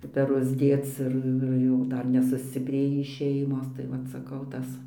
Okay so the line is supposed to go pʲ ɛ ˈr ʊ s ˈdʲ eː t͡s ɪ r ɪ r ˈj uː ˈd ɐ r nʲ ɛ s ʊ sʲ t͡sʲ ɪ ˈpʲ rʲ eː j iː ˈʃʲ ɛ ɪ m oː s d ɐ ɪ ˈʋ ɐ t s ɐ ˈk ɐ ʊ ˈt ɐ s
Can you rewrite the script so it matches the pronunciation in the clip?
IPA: pʲ ɛ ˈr ʊ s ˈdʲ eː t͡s ɪ r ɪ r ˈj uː ˈd ɐ r nʲ ɛ s ʊ sʲ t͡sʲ ɪ ˈpʲ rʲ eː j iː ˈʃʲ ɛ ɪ m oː s t ɐ ɪ ˈʋ ɐ t s ɐ ˈk ɐ ʊ ˈt ɐ s